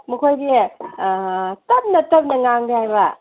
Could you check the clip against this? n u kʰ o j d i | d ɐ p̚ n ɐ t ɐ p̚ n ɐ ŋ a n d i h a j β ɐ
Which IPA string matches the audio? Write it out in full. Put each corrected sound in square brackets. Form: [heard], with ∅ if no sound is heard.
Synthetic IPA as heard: [m] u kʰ o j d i | [t] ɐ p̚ n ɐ t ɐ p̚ n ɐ ŋ a [ŋ] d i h a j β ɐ